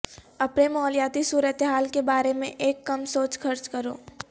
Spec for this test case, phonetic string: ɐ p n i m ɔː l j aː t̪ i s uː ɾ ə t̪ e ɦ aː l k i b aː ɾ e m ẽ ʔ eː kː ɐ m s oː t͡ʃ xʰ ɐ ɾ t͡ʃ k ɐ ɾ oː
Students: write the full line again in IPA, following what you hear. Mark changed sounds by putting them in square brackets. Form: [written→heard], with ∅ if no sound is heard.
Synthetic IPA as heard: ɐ p n [i→e] m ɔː l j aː t̪ i s uː ɾ ə t̪ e ɦ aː l k [i→e] b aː ɾ e m ẽ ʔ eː kː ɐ m s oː t͡ʃ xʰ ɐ ɾ t͡ʃ k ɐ ɾ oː